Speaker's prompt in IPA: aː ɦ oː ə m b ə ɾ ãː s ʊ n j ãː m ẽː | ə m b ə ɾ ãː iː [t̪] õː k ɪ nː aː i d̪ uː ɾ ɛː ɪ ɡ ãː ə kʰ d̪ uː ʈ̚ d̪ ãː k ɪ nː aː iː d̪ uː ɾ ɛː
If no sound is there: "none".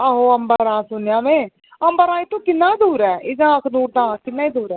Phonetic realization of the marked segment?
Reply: t̪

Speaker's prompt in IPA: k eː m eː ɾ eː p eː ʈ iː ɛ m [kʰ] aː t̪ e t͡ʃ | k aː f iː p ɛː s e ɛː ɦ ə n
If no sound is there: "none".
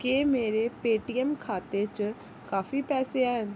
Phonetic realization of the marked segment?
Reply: kʰ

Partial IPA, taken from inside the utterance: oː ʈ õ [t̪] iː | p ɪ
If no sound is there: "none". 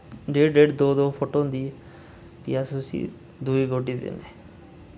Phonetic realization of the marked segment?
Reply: d̪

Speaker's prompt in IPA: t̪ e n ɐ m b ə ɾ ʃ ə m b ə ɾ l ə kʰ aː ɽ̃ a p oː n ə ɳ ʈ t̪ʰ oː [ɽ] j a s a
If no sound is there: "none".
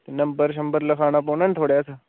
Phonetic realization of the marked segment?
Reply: ɽ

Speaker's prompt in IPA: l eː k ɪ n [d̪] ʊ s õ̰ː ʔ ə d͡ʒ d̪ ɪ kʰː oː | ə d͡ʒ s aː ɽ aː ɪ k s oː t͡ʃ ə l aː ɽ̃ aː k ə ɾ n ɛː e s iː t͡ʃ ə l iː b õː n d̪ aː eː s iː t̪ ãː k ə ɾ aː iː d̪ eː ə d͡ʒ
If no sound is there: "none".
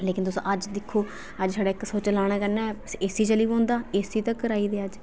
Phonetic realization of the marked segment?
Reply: t̪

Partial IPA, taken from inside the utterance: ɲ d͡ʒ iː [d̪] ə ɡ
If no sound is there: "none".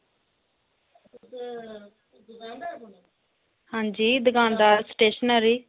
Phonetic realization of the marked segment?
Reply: d̪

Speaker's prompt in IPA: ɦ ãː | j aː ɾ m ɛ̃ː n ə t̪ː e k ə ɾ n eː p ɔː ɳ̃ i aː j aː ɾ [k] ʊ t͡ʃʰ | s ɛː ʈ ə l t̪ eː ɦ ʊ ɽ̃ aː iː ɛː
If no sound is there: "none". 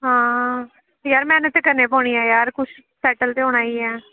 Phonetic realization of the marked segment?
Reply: k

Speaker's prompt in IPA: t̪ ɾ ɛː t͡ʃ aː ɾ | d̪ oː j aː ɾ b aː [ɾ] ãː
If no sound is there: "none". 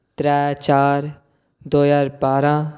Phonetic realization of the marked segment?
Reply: ɾ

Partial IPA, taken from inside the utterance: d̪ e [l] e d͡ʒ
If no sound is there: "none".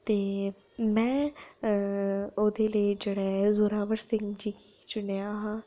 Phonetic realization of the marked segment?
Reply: l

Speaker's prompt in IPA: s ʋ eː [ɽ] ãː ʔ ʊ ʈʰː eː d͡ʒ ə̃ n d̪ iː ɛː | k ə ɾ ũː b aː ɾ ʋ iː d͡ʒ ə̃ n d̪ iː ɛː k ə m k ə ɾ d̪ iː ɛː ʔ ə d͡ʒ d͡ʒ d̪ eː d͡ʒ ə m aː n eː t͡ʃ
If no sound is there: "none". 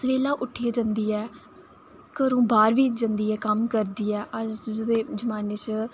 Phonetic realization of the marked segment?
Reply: l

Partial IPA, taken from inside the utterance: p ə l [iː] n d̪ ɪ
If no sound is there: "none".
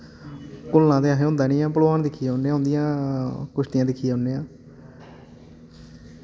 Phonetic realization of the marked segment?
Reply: aː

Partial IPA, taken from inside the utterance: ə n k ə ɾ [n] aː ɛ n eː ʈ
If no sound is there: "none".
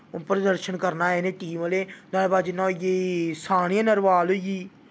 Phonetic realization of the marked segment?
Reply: n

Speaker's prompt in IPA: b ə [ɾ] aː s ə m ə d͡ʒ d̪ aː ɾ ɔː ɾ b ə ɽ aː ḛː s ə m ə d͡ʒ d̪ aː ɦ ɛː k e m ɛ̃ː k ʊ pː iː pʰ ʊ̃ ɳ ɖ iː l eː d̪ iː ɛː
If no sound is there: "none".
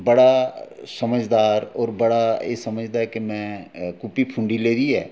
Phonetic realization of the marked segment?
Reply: ɽ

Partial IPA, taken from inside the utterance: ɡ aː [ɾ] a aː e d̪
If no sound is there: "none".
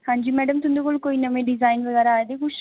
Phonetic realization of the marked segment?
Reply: ɾ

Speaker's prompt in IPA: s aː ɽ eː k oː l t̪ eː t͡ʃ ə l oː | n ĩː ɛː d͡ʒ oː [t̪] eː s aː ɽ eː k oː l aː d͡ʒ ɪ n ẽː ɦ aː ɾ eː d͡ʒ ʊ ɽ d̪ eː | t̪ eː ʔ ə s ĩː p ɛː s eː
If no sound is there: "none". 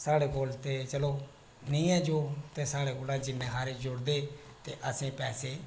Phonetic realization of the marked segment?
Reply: t̪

